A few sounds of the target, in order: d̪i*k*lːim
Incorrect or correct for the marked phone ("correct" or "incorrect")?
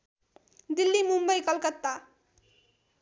incorrect